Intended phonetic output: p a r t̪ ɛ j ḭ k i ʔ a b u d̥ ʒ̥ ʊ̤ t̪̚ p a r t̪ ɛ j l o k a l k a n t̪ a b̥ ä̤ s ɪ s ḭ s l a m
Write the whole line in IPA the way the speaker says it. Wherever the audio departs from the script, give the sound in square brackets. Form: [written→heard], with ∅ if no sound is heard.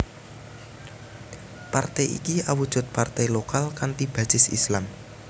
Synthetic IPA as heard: p a r t̪ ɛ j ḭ k i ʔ a [b→w] u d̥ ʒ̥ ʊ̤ t̪̚ p a r t̪ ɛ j l o k a l k a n t̪ [a→i] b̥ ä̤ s ɪ s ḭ s l a m